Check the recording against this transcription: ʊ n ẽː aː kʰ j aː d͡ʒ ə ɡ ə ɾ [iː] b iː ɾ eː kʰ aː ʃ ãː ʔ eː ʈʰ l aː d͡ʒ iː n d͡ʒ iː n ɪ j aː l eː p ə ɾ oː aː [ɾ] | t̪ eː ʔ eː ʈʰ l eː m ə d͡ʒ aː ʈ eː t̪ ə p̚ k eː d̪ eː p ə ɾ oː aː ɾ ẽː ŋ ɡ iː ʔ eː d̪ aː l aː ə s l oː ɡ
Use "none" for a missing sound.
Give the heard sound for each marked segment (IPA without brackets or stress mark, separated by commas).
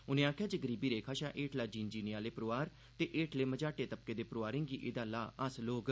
iː, ɾ